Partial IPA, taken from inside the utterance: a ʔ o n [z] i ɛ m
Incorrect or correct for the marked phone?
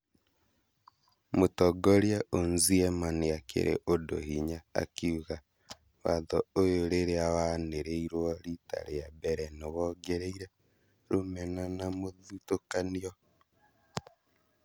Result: correct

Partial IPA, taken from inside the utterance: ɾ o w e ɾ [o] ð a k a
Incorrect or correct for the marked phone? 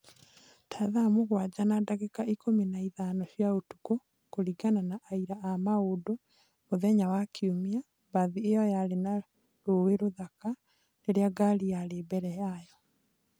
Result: correct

